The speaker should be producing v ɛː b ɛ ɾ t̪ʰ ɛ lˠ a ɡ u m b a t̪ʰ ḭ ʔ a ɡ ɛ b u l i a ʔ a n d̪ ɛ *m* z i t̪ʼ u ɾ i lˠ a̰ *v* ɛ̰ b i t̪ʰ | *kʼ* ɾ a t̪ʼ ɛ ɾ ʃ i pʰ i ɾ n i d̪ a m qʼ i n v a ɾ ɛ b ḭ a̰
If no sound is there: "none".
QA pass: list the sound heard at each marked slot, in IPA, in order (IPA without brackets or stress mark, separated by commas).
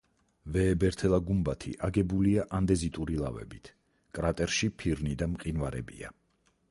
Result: none, v, kʼ